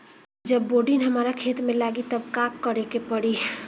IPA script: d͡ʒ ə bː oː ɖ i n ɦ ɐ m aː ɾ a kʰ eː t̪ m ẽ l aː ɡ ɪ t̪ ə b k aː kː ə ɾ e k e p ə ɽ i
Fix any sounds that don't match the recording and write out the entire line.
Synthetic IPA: d͡ʒ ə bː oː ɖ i n ɦ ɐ m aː ɾ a kʰ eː t̪ m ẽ l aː ɡ i t̪ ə b k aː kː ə ɾ e k e p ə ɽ i